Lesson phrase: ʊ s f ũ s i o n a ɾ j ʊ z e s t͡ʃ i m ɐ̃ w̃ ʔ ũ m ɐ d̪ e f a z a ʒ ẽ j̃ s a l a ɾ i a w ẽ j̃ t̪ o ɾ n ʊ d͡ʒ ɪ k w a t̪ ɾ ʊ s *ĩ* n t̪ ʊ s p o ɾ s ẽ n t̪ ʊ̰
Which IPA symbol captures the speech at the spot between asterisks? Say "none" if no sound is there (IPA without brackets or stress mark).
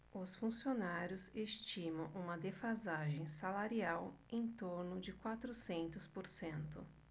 ẽ